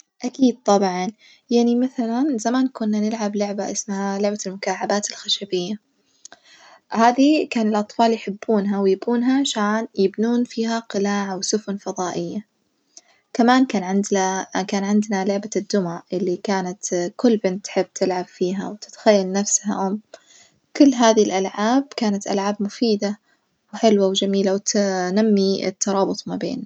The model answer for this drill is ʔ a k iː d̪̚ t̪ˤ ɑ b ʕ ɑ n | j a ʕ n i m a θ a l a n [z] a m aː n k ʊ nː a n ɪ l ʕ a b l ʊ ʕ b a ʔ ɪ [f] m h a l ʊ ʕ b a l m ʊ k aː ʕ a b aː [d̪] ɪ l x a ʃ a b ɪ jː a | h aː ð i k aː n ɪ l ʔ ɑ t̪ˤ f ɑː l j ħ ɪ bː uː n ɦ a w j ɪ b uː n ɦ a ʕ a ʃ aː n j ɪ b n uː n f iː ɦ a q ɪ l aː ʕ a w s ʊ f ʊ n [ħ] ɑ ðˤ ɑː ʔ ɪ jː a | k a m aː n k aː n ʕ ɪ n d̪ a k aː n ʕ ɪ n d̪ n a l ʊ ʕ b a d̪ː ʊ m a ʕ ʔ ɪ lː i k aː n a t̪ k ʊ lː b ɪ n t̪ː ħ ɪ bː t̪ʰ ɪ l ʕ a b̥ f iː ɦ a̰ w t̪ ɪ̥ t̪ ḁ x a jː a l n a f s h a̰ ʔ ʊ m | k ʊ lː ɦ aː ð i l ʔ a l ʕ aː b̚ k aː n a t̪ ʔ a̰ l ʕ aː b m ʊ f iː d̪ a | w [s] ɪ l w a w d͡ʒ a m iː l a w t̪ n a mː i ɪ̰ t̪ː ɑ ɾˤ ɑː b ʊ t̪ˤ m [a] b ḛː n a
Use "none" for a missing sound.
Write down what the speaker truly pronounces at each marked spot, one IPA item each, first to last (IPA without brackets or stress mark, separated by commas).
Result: z, s, t̪, f, ħ, a